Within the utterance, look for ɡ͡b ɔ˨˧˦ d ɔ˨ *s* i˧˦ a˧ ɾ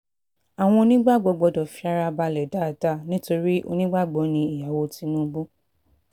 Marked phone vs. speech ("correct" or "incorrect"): incorrect